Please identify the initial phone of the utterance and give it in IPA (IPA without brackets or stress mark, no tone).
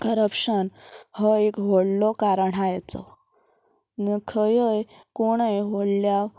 k